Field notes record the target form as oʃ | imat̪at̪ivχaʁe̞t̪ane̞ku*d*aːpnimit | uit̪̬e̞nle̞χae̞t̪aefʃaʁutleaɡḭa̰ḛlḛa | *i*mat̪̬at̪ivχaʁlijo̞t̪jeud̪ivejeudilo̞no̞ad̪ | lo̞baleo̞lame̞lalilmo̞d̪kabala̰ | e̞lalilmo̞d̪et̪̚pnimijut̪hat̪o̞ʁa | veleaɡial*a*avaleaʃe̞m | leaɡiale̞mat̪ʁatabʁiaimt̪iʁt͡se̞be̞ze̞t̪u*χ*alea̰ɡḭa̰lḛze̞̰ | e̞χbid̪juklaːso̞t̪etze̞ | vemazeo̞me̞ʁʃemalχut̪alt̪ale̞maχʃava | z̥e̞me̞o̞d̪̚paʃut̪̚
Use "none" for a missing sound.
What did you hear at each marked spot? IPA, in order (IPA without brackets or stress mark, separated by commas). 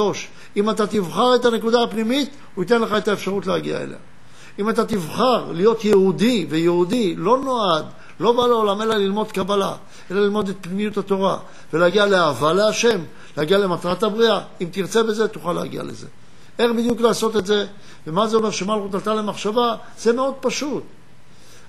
d, i, e, χ